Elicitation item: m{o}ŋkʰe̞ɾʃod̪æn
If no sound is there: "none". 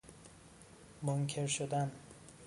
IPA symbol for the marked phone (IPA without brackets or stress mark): o